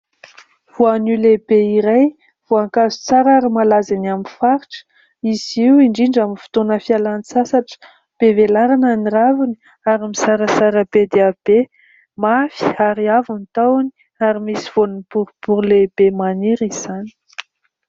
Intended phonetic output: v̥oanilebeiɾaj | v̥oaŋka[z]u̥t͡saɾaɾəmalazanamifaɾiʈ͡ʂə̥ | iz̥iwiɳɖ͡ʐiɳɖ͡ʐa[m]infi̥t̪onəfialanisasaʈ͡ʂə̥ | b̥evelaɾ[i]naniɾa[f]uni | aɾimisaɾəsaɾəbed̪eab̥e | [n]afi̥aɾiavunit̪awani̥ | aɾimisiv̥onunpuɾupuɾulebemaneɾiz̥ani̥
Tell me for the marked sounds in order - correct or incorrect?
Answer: correct, correct, incorrect, incorrect, incorrect

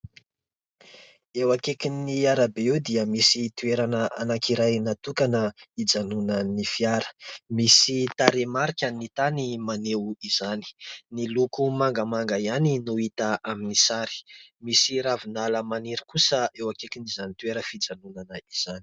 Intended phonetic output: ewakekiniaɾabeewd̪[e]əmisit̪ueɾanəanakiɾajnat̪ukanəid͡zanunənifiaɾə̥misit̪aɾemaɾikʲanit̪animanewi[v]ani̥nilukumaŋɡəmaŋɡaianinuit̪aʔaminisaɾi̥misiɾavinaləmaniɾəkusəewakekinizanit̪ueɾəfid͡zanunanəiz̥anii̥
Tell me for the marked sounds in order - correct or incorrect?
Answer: incorrect, incorrect

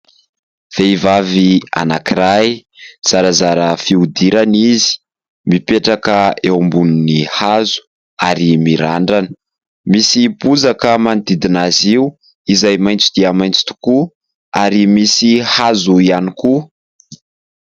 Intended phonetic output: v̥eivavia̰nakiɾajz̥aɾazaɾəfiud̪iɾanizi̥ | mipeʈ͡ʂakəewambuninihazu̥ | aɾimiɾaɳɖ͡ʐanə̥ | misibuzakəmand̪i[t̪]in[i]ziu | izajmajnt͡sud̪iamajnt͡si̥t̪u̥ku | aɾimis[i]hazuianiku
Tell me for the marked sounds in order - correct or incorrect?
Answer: incorrect, incorrect, correct

